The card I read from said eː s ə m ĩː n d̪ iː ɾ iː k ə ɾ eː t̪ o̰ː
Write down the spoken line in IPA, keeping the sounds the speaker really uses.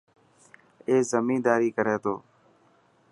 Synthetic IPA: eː z ə m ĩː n d̪ aː ɾ iː k ə ɾ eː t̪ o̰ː